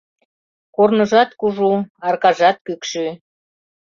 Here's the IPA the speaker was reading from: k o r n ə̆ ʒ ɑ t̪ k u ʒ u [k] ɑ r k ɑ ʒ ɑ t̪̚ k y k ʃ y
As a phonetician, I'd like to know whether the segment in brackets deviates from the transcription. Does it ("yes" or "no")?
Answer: yes